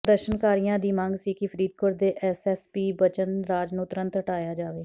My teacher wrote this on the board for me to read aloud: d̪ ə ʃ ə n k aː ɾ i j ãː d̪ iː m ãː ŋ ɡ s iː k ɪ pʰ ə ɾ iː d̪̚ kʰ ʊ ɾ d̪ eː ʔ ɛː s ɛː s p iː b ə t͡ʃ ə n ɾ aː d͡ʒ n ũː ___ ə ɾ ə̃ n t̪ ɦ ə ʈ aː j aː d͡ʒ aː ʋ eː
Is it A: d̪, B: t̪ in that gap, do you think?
B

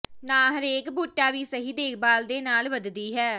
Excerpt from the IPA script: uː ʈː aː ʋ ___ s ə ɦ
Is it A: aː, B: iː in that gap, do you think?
B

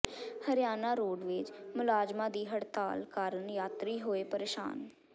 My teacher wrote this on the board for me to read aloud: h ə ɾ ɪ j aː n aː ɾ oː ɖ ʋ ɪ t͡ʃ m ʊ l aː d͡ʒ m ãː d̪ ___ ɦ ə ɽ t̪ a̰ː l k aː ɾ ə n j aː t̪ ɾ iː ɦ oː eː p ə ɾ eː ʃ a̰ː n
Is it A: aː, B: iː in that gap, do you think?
B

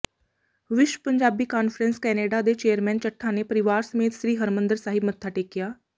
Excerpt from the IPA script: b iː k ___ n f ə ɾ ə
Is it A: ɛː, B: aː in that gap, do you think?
B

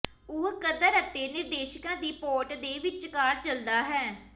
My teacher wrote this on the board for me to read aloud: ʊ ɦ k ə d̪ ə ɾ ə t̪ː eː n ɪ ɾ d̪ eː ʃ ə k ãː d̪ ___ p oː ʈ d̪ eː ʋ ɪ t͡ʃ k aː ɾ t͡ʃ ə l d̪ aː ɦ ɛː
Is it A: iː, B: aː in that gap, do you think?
A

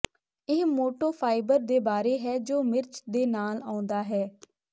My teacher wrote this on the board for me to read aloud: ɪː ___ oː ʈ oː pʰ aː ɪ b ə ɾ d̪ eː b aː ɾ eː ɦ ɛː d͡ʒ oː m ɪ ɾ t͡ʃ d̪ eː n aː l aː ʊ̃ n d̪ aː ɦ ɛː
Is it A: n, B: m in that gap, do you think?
B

